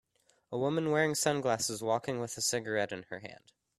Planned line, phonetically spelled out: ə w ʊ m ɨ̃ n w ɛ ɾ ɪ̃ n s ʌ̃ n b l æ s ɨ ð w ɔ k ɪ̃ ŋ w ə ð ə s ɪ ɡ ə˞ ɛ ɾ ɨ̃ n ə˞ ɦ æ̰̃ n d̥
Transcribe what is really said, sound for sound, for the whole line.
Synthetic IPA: ə w ʊ m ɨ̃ n w ɛ ɹ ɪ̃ ŋ s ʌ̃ n ɡ l æ s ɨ z w ɔ k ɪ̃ ŋ w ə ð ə s ɪ ɡ ə˞ ɛ ɾ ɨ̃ n ə˞ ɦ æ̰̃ n d̥